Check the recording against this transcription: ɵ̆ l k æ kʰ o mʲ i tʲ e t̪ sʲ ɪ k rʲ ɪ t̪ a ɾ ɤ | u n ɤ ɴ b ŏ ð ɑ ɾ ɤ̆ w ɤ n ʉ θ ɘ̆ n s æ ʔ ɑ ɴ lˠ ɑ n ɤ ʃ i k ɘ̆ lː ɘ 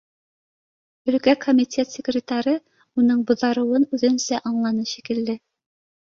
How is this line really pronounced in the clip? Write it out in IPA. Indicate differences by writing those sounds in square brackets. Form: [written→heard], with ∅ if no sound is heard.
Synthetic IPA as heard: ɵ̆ l k æ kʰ o mʲ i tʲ e t̪ sʲ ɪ k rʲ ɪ t̪ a ɾ ɤ | u n ɤ ɴ b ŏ ð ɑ ɾ ɤ̆ w ɤ n ʉ [θ→ð] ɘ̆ n s æ ʔ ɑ ɴ lˠ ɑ n ɤ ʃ i k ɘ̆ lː ɘ